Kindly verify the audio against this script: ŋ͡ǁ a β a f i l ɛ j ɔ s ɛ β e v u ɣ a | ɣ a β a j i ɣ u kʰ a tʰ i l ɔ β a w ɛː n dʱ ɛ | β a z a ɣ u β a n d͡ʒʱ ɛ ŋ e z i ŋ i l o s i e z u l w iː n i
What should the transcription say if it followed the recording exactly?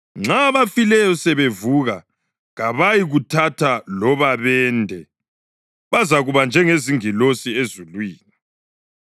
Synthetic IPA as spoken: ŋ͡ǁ a β a f i l ɛ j ɔ s ɛ β e v u ɣ a | ɣ a β a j i ɣ u tʰ a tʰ a l ɔ β a β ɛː n dʱ ɛ | β a z a ɣ u β a n d͡ʒʱ ɛ ŋ e z i ŋ i l o s i e z u l w iː n i